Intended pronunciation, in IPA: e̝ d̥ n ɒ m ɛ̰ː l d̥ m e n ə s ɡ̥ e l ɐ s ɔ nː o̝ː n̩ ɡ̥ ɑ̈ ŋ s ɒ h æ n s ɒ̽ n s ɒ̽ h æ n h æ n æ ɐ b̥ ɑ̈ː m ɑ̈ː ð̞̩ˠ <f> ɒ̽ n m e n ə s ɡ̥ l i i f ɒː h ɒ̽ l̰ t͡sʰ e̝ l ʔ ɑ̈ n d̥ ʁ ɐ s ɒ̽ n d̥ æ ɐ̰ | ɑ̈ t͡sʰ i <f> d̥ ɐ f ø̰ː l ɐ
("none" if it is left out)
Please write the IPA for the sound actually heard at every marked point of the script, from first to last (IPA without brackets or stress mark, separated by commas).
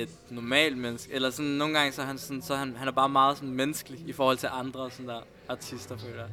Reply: s, s